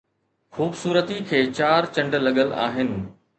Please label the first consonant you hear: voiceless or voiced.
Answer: voiceless